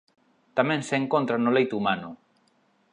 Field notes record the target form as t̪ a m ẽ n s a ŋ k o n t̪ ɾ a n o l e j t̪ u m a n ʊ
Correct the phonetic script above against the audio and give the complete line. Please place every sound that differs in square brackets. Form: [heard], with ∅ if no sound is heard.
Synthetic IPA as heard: t̪ a m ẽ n s [e] ŋ k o n t̪ ɾ a n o l e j t̪ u m a n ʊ

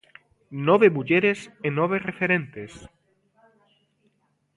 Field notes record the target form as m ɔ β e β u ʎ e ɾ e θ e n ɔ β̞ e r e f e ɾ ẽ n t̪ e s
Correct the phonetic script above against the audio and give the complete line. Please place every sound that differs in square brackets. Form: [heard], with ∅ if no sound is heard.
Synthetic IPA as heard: [n] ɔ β e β u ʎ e ɾ e [s] e n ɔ β̞ e r e f e ɾ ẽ n t̪ e s

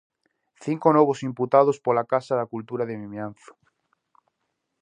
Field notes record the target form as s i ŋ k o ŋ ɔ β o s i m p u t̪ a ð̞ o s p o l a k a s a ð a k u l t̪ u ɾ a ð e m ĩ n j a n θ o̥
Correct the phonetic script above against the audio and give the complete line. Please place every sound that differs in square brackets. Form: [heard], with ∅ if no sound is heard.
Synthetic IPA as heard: [θ] i ŋ k o [n] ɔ β o s i m p u t̪ a ð̞ o s p o l a k a s a ð a k u l t̪ u ɾ a ð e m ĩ [m] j a n θ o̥

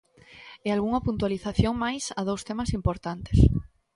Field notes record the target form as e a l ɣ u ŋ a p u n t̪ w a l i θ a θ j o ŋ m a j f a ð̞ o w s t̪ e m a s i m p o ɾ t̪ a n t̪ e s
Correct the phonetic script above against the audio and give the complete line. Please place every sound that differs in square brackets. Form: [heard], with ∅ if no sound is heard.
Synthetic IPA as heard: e a l ɣ u ŋ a p u n t̪ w a l i θ a θ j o ŋ m a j [s] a ð̞ o w s t̪ e m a s i m p o ɾ t̪ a n t̪ e s

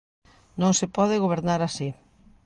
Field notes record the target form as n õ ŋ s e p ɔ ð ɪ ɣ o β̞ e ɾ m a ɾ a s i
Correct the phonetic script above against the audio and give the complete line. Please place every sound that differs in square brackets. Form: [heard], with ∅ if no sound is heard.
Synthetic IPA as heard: n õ ŋ s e p ɔ ð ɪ ɣ o β̞ e ɾ [n] a ɾ a s i

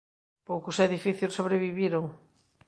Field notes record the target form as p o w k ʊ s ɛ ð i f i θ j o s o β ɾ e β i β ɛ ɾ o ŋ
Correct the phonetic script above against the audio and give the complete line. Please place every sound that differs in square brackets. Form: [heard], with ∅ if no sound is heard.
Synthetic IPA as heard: p o w k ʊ s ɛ ð i f i θ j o s o β ɾ e β i β [i] ɾ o ŋ

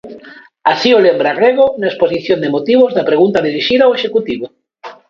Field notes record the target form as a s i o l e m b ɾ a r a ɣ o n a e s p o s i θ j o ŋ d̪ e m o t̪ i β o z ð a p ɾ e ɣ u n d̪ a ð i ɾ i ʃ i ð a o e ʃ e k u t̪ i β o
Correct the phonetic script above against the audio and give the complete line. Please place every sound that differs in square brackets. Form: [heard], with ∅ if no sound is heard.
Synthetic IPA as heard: a s i o l e m b ɾ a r [e] ɣ o n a e s p o s i θ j o [n] d̪ e m o t̪ i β o z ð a p ɾ e ɣ u n [t̪] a ð i ɾ i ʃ i ð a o e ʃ e k u t̪ i β o

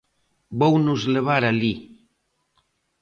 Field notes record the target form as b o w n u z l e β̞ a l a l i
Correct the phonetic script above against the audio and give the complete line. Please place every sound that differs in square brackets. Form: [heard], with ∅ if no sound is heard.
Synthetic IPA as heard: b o w n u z l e β̞ a [ɾ] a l i

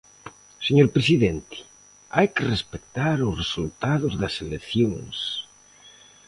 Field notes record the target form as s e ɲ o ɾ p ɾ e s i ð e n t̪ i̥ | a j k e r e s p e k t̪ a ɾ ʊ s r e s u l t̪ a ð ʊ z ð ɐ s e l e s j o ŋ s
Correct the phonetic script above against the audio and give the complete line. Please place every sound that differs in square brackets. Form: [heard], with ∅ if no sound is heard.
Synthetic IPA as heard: s e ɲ o ɾ p ɾ e s i ð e n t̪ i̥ | a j k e r e s p e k t̪ a ɾ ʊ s r e s u l t̪ a ð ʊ z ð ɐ s e l e [θ] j o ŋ s

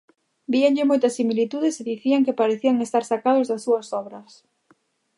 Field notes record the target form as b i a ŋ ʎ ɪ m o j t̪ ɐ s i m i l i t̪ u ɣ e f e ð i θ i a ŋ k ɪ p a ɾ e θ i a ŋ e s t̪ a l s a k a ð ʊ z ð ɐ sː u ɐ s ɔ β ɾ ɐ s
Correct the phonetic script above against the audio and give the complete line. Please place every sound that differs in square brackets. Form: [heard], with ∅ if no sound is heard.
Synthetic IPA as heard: b i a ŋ ʎ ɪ m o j t̪ ɐ s i m i l i t̪ u [ð] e [s] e ð i θ i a ŋ k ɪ p a ɾ e θ i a ŋ e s t̪ a [ɾ] s a k a ð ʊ z ð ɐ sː u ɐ s ɔ β ɾ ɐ s

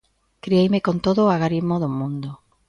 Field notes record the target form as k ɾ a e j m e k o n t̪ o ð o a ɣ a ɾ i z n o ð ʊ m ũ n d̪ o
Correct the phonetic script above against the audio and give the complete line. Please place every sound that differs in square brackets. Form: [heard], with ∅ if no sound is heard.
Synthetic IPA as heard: k ɾ [i] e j m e k o n t̪ o ð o a ɣ a ɾ i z [m] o ð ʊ m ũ n d̪ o

